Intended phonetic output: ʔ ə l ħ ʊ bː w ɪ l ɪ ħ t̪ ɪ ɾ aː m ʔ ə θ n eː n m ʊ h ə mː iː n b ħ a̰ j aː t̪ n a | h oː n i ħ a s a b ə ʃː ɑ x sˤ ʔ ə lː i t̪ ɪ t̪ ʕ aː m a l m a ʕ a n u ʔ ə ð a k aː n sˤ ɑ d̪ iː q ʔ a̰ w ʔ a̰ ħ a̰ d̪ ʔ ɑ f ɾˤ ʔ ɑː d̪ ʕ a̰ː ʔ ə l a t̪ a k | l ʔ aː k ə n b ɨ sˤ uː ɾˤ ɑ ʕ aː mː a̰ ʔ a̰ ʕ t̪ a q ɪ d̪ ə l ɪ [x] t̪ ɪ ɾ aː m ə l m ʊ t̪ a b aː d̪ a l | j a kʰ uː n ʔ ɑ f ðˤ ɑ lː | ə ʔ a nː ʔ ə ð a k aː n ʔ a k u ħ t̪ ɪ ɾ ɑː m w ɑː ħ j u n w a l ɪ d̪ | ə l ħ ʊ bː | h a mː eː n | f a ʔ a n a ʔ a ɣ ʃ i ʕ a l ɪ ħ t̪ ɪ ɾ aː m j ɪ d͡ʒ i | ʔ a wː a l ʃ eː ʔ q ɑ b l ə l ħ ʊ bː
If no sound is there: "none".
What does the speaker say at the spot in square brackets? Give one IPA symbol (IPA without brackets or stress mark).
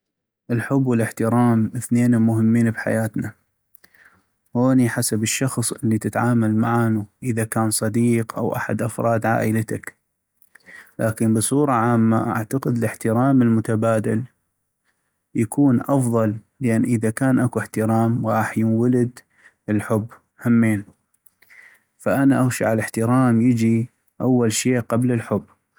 ħ